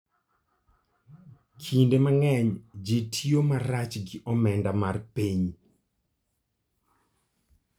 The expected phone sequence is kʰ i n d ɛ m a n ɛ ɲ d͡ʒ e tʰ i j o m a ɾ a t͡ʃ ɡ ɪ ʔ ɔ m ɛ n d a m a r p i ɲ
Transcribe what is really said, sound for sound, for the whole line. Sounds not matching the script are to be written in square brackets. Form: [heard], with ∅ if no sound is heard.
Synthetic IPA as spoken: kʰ i n d [e] m a [ŋ] ɛ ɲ d͡ʒ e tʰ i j o m a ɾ a t͡ʃ ɡ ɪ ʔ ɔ m ɛ n d a m a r p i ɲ